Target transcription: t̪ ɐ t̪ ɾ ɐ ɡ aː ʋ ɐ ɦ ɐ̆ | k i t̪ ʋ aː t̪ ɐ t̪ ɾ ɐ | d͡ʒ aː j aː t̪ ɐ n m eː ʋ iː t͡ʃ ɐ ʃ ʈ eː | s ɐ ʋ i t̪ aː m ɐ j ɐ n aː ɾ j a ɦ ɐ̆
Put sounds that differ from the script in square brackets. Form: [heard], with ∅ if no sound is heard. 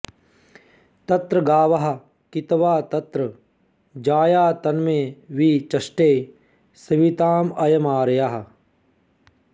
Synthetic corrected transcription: t̪ ɐ t̪ ɾ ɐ ɡ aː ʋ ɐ ɦ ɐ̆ | k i t̪ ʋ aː t̪ ɐ t̪ ɾ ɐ | d͡ʒ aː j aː t̪ ɐ n m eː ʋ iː t͡ʃ ɐ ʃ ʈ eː | s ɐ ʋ i t̪ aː m ɐ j ɐ [m] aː ɾ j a ɦ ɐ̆